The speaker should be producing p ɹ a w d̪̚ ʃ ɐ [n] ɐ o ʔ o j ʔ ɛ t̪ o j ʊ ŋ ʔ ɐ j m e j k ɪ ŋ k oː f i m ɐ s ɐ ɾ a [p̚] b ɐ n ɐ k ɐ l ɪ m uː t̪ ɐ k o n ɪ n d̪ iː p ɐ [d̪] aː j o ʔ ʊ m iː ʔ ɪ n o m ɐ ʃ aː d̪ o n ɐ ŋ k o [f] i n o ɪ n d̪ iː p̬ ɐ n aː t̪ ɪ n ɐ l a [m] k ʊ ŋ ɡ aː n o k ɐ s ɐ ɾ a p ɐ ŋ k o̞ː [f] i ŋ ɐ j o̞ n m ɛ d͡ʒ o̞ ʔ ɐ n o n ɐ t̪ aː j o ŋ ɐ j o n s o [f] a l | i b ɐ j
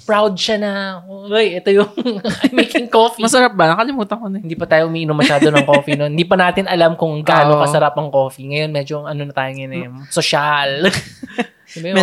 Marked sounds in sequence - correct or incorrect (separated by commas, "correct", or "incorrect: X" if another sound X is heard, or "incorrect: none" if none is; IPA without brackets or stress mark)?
correct, correct, incorrect: t̪, correct, correct, correct, incorrect: ʃ